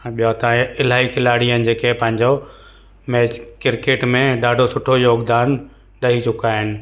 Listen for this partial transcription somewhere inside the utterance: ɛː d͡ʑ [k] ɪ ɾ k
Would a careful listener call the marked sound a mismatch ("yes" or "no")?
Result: no